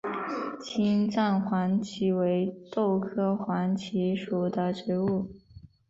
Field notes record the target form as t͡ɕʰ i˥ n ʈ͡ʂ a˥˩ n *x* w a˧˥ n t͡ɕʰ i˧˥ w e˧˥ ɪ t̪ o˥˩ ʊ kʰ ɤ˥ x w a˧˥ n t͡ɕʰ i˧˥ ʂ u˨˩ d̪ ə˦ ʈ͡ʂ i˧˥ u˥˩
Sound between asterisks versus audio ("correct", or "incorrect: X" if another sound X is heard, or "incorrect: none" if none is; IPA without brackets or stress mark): correct